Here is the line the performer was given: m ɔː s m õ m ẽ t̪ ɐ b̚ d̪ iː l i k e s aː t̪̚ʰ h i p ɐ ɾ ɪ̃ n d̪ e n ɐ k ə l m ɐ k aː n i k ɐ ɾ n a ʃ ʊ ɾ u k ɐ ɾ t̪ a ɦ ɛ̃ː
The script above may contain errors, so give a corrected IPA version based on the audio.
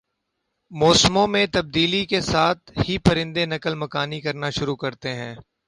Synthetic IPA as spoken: m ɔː s m õ m ẽ t̪ ɐ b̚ d̪ iː l i k e s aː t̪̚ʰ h i p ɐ ɾ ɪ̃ n d̪ e n ɐ k ə l m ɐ k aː n i k ɐ ɾ n a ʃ ʊ ɾ u k ɐ ɾ t̪ e ɦ ɛ̃ː

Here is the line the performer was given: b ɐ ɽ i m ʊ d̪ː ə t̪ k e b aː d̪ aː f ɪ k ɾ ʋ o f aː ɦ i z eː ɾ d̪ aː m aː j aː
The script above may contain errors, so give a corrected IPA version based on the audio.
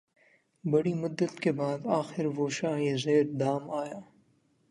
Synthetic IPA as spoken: b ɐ ɽ i m ʊ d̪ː ə t̪ k e b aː d̪ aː x ɪ ɾ ʋ o ʃ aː ɦ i z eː ɾ d̪ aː m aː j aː

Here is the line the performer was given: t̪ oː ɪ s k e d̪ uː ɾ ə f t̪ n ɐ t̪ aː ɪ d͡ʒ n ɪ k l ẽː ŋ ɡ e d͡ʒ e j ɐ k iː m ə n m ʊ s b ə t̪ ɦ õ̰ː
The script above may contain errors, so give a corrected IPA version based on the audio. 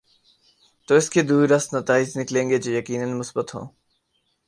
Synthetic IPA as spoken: t̪ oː ɪ s k e d̪ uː ɾ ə s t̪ n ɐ t̪ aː ɪ d͡ʒ n ɪ k l ẽː ŋ ɡ e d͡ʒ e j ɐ k iː n ə n m ʊ s b ə t̪ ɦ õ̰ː

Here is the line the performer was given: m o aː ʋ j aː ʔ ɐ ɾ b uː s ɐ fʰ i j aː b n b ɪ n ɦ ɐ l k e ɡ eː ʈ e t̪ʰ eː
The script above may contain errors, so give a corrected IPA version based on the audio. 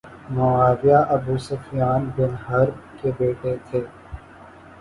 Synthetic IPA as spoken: m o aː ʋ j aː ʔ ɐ b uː s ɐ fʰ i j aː n b ɪ n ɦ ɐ ɾ k e b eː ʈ e t̪ʰ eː

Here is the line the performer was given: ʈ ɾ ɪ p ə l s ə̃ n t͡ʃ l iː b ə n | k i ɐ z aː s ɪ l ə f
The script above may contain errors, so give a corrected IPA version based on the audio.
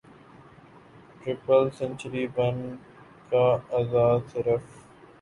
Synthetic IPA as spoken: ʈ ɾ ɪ p ə l s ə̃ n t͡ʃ ɾ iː b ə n | k a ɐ z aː s ɪ ɾ ə f

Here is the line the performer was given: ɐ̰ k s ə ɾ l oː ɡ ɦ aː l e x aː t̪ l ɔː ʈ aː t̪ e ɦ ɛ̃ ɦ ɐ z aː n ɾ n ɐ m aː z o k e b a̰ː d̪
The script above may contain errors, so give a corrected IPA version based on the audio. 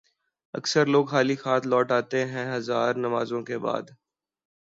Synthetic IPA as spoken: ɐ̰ k s ə ɾ l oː ɡ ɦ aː l i x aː t̪ l ɔː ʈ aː t̪ e ɦ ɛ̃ ɦ ɐ z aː ɾ n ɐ m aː z õ k e b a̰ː d̪

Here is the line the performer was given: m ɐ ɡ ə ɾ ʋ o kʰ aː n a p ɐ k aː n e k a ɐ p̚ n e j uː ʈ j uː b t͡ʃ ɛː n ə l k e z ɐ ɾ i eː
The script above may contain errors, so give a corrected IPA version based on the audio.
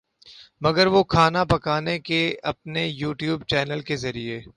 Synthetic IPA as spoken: m ɐ ɡ ə ɾ ʋ o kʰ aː n a p ɐ k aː n e k e ɐ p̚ n e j uː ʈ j uː b t͡ʃ ɛː n ə l k e z ɐ ɾ i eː

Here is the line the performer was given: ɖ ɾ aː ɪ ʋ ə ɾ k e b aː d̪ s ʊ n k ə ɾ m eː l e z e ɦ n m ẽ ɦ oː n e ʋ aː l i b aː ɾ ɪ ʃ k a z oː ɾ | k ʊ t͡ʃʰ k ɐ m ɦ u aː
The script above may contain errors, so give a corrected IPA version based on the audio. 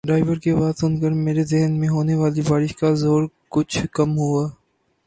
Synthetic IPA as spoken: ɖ ɾ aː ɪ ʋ ə ɾ k e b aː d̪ s ʊ n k ə ɾ m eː ɾ e z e ɦ n m ẽ ɦ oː n e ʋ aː l i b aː ɾ ɪ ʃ k a z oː ɾ | k ʊ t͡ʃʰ k ɐ m ɦ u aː

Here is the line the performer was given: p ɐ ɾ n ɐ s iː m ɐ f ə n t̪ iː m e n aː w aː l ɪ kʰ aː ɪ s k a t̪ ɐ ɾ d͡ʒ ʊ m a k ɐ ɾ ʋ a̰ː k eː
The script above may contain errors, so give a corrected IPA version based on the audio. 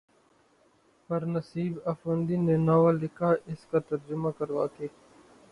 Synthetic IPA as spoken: p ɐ ɾ n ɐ s iː b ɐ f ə n d̪ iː n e n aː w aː l ɪ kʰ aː ɪ s k a t̪ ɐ ɾ d͡ʒ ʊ m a k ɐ ɾ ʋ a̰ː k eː

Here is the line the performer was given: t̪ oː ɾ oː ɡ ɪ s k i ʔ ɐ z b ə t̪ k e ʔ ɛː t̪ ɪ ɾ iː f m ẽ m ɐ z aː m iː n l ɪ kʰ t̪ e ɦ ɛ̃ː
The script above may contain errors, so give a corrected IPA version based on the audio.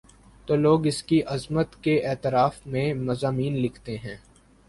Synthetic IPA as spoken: t̪ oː l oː ɡ ɪ s k i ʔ ɐ z m ə t̪ k e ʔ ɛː t̪ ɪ ɾ aː f m ẽ m ɐ z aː m iː n l ɪ kʰ t̪ e ɦ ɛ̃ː

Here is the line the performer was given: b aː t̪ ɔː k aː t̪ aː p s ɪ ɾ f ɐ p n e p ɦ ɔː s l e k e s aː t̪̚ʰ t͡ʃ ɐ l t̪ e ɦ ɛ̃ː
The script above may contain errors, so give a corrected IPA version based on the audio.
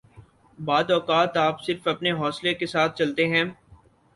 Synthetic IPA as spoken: b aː d̪ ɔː k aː t̪ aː p s ɪ ɾ f ɐ p n e ɦ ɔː s l e k e s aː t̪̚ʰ t͡ʃ ɐ l t̪ e ɦ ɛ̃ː

